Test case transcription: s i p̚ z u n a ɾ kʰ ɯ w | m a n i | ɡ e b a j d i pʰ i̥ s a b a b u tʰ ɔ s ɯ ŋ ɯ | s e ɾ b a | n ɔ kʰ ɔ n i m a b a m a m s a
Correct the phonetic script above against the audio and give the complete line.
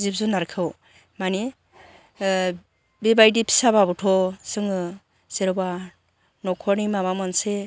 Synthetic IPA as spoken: z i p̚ z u n a ɾ kʰ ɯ w | m a n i | b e b a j d i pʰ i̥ s a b a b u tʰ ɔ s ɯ ŋ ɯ | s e ɾ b a | n ɔ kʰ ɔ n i m a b a m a n s e

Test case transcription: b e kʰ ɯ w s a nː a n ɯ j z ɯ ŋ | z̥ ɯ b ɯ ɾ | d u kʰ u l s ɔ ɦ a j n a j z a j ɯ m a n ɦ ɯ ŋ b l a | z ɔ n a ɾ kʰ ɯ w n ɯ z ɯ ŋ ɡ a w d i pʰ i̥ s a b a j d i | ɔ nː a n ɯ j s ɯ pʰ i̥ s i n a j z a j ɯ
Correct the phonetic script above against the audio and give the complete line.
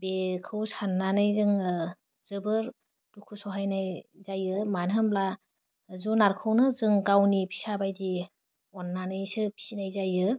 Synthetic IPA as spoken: b e kʰ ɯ w s a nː a n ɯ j z ɯ ŋ | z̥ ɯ b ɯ ɾ | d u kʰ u s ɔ ɦ a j n a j z a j ɯ m a n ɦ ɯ m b l a | z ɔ n a ɾ kʰ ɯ w n ɯ z ɯ ŋ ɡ a w n i pʰ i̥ s a b a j d i | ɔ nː a n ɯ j s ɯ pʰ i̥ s i n a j z a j ɯ

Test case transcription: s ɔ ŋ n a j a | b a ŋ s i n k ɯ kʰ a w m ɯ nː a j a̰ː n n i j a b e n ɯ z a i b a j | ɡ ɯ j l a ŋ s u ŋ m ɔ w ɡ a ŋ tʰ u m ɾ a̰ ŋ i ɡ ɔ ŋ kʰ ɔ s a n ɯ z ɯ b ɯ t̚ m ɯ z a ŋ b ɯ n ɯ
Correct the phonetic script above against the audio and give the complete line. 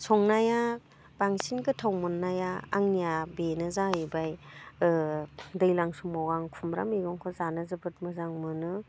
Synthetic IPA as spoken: s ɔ ŋ n a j a | b a ŋ s i n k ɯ tʰ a w m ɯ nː a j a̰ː ŋ n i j a b e n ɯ z a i b a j | d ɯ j l a ŋ s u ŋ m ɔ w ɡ a ŋ kʰ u m ɾ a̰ m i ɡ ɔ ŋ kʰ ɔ z a n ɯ z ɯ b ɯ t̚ m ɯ z a ŋ m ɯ n ɯ

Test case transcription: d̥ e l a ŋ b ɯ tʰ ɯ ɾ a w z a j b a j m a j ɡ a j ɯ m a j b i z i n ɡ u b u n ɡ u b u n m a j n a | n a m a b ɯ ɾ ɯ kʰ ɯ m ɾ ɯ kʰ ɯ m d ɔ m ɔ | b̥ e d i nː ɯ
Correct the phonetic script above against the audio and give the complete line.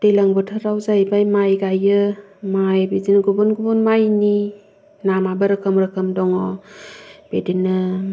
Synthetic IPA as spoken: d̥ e l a ŋ b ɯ tʰ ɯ ɾ a w z a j b a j m a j ɡ a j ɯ m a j b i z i n ɡ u b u n ɡ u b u n m a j n i | n a m a b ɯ ɾ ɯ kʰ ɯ m ɾ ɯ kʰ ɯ m d ɔ ŋ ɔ | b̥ e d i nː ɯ

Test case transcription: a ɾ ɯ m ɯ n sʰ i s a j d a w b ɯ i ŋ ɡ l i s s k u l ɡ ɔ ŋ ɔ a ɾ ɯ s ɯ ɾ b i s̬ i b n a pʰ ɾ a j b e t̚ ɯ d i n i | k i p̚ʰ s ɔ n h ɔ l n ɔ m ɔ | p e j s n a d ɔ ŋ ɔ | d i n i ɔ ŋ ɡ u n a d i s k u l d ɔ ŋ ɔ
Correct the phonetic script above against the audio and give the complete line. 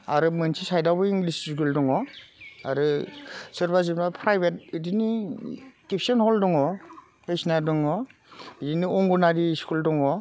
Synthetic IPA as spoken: a ɾ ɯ m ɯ n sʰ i s a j d a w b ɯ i ŋ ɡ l i s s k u l d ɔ ŋ ɔ a ɾ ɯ s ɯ ɾ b a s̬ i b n a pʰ ɾ a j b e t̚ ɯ d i n i | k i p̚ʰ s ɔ n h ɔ l d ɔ ŋ ɔ | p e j s n a d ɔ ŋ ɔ | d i n i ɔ ŋ ɡ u n a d i s k u l d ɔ ŋ ɔ

